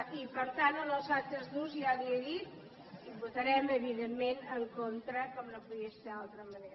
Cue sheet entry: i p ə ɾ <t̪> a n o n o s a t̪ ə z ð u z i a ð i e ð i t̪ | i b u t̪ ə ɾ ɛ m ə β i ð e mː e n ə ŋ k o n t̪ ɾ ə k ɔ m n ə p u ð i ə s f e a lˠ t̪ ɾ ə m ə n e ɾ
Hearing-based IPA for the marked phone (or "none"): t̪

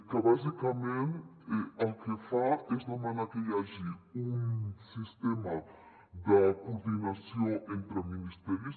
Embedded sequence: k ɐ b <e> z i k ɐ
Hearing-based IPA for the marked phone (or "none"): a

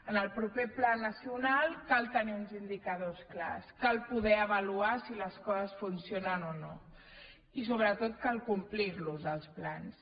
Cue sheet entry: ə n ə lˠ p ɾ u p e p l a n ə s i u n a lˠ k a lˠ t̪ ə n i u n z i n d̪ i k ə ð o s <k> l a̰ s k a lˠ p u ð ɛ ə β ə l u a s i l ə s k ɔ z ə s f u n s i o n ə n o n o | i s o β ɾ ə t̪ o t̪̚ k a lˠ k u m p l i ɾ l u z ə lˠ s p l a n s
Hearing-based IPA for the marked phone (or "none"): k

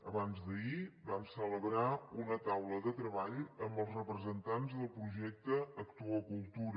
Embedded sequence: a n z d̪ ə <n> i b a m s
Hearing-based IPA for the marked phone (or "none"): none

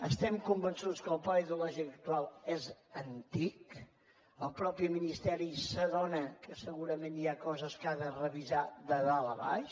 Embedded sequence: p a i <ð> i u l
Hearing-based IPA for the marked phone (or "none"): ð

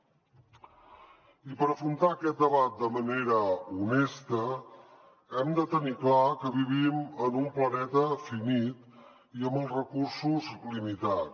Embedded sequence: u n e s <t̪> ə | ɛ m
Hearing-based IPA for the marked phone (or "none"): t̪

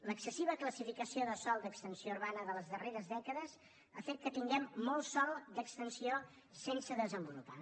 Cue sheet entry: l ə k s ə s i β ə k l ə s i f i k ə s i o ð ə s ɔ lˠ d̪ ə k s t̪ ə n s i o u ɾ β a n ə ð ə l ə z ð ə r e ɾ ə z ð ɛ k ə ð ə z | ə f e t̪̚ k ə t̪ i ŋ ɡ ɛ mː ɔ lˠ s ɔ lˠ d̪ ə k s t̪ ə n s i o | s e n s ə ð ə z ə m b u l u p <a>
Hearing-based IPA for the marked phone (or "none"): a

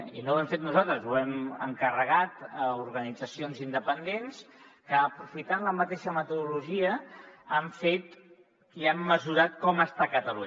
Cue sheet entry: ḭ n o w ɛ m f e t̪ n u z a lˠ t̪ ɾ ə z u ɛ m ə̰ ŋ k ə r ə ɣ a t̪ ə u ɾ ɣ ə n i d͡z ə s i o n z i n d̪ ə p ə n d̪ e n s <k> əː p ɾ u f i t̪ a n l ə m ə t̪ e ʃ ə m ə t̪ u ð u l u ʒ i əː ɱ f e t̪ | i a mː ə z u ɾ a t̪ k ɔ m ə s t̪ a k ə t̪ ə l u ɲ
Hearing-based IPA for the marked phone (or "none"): k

